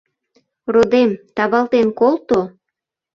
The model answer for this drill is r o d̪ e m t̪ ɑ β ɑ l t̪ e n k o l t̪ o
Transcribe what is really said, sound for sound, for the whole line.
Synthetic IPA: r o d̪ e m t̪ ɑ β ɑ l t̪ e n k o l t̪ o